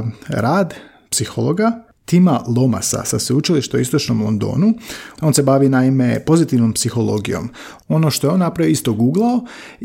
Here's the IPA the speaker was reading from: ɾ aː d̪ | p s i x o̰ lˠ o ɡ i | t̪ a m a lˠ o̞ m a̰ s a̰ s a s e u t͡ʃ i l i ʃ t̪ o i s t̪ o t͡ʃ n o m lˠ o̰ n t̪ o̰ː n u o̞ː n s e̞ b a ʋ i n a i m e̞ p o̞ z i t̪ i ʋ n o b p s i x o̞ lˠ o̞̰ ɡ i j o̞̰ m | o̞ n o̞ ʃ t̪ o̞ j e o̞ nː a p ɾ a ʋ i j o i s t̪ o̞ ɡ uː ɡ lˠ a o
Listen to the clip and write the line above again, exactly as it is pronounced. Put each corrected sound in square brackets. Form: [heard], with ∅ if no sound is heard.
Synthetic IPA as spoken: ɾ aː d̪ | p s i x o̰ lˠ o ɡ [a] | t̪ [i] m a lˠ o̞ m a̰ s a̰ s a s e u t͡ʃ i l i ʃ t̪ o i s t̪ o t͡ʃ n o m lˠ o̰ n [d̪] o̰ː n u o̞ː n s e̞ b a ʋ i n a i m e̞ p o̞ z i t̪ i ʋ n o [m] p s i x o̞ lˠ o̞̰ ɡ i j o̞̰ m | o̞ n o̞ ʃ t̪ o̞ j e o̞ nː a p ɾ a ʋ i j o i s t̪ o̞ ɡ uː ɡ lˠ a o